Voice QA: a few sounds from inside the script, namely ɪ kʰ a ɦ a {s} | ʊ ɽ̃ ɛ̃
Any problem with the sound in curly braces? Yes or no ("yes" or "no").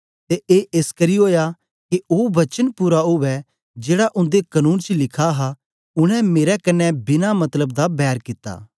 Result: yes